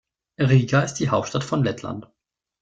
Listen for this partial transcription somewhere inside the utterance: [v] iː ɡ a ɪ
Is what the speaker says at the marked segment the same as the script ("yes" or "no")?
no